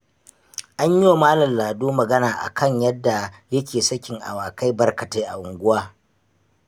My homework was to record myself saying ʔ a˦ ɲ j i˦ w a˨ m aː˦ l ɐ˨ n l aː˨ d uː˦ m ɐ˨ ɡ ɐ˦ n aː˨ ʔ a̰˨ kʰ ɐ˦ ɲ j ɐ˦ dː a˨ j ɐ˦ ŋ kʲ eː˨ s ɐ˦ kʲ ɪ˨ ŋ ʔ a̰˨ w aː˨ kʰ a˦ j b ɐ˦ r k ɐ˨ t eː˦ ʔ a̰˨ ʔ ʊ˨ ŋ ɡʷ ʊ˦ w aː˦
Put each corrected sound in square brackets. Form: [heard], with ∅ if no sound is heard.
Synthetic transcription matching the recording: ʔ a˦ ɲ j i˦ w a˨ m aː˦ l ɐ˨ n l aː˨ d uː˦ m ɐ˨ ɡ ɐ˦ n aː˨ ʔ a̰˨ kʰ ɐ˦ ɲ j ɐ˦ dː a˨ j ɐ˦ [∅] kʲ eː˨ s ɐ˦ kʲ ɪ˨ ŋ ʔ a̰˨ w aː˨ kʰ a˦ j b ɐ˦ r k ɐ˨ t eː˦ ʔ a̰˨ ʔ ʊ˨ ŋ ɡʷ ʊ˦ w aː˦

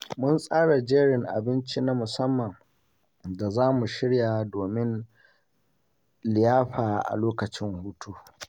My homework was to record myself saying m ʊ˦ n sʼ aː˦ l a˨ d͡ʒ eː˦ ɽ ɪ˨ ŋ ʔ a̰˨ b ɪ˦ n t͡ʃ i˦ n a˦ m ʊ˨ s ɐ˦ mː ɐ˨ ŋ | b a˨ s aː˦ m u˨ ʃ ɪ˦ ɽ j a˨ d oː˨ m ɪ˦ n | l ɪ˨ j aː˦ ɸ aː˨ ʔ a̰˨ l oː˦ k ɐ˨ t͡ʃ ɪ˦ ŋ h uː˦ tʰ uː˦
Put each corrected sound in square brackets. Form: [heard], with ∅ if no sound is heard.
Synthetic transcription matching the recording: m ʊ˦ n sʼ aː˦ [ɽ] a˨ d͡ʒ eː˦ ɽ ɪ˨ ŋ ʔ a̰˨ b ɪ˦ n t͡ʃ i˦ n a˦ m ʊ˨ s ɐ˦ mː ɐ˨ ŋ | [d] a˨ [z] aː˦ m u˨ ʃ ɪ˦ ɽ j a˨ d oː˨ m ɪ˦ n | l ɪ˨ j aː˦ ɸ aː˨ ʔ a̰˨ l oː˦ k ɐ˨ t͡ʃ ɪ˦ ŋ h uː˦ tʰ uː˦

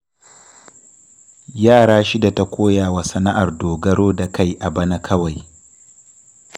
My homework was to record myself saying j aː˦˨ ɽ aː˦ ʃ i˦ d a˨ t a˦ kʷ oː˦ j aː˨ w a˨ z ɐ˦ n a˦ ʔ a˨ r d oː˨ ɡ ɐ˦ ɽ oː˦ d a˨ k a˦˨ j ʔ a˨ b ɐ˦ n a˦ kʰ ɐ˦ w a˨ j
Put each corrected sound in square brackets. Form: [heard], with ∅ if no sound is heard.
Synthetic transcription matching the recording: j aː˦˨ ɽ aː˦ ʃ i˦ d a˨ t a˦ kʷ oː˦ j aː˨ w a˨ [s] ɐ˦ n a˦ ʔ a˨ r d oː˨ ɡ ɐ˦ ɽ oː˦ d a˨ k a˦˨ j ʔ a˨ b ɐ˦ n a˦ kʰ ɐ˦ w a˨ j

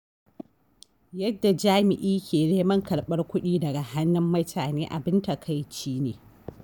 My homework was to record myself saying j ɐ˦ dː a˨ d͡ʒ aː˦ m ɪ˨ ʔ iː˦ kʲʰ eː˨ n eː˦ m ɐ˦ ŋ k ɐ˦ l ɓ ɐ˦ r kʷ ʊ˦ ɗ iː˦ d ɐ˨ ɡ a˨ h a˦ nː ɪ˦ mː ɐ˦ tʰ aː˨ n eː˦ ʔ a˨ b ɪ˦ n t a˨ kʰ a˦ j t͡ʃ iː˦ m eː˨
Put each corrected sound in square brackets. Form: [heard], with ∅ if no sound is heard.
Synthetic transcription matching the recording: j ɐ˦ dː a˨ d͡ʒ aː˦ m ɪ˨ ʔ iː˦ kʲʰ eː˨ n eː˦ m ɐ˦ ŋ k [ɐ˨] l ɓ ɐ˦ r kʷ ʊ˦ ɗ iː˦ d ɐ˨ ɡ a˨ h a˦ nː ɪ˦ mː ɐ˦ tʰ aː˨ n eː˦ ʔ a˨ b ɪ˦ n t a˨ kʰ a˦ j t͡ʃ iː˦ [n] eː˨

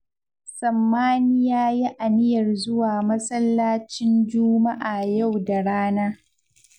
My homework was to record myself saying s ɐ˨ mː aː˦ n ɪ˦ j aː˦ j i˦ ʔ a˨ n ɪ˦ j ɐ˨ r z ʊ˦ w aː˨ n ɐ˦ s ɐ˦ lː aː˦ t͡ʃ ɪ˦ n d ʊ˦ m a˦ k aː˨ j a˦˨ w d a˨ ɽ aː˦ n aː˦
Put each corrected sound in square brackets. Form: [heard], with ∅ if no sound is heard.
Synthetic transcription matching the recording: s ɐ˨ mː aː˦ n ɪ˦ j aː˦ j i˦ ʔ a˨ n ɪ˦ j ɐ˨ r z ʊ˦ w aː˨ [m] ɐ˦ s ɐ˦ lː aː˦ t͡ʃ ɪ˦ n [d͡ʒ] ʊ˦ m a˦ [ʔ] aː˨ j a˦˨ w d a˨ ɽ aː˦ n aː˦

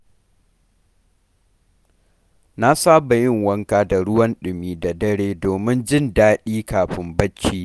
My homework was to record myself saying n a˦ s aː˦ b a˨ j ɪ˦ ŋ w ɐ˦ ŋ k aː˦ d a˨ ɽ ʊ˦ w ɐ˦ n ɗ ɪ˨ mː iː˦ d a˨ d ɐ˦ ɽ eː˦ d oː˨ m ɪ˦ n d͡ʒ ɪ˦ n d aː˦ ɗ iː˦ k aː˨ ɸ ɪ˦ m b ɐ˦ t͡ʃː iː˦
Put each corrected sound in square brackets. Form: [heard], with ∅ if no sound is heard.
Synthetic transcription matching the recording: n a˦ s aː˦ b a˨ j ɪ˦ ŋ w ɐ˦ ŋ k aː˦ d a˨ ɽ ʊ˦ w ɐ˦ n ɗ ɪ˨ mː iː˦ d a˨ d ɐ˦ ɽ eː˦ d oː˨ m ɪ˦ n d͡ʒ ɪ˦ n d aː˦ ɗ iː˦ k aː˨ ɸ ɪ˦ m b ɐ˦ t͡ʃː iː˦

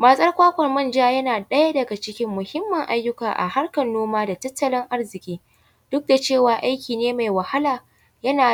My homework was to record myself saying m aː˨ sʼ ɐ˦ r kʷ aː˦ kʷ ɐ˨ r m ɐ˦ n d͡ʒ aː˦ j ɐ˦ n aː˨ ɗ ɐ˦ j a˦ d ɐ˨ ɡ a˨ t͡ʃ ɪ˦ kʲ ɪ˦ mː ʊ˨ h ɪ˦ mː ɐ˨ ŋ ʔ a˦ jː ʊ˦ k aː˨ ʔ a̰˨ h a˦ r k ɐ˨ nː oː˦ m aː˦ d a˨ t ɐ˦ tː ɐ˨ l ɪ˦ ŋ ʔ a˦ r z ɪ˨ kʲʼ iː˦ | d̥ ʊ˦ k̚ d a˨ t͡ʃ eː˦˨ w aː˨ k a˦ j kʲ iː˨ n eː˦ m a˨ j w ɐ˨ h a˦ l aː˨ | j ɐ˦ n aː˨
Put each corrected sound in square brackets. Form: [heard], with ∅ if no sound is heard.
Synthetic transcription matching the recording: m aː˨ sʼ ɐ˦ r kʷ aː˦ kʷ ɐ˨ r m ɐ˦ n d͡ʒ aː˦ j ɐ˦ n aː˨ ɗ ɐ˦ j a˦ d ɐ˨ ɡ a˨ t͡ʃ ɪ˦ kʲ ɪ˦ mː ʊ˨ h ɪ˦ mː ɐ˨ ŋ ʔ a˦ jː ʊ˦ k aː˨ ʔ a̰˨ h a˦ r k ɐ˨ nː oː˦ m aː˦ d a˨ t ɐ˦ tː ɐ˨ l ɪ˦ ŋ ʔ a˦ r z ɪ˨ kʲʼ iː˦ | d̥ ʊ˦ k̚ d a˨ t͡ʃ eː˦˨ w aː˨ [ʔ] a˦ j kʲ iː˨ n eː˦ m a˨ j w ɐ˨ h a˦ l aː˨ | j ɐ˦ n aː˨

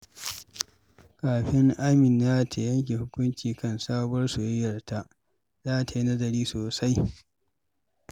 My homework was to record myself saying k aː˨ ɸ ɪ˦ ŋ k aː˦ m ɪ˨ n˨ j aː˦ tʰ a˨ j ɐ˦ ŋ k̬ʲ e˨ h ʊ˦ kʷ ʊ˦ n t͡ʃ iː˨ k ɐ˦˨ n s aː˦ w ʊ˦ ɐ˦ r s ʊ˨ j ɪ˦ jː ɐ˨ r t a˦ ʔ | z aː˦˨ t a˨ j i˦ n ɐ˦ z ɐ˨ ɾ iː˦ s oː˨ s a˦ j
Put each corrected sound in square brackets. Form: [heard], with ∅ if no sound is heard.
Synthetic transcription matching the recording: k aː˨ ɸ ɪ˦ ŋ [ʔ] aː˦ m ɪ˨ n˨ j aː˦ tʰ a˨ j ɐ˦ ŋ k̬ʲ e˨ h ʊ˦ kʷ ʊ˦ n t͡ʃ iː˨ k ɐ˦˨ n s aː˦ [b] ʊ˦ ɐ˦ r s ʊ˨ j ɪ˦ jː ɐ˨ r t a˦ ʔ | z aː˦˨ t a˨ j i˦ n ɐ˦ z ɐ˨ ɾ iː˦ s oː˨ s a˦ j

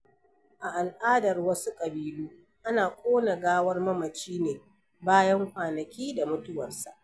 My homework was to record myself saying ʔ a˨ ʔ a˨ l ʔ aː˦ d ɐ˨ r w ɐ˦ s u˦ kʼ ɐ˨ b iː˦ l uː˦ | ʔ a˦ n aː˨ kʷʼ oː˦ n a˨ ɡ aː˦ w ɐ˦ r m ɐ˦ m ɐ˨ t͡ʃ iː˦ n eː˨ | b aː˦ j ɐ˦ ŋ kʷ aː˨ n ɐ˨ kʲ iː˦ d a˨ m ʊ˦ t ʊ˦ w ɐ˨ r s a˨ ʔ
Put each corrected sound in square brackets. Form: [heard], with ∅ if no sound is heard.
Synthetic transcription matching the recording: ʔ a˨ ʔ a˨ l ʔ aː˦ d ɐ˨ r w ɐ˦ s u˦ kʼ ɐ˨ b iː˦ l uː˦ | ʔ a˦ n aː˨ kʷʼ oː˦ n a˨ ɡ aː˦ w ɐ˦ r m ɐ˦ m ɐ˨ t͡ʃ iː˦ n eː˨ | b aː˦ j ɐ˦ ŋ kʷ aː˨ n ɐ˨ kʲ iː˦ d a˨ m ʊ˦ t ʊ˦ w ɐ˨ r s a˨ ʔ

